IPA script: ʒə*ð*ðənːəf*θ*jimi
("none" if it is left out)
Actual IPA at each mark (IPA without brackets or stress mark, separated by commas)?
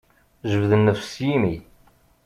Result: v, s